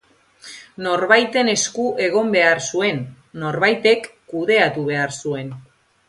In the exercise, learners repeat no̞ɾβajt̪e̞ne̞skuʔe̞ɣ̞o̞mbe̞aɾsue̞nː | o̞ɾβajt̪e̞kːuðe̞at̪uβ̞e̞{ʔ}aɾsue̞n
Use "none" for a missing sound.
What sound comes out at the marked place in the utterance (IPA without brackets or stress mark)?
none